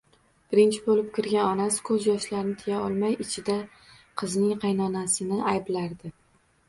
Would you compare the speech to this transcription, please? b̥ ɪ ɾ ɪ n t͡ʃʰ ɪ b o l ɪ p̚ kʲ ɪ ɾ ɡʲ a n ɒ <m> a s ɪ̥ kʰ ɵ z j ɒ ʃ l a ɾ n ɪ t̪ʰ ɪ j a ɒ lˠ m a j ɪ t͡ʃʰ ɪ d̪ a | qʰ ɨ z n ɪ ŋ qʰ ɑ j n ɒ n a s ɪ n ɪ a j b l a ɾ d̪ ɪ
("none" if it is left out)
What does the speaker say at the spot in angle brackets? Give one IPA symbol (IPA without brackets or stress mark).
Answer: n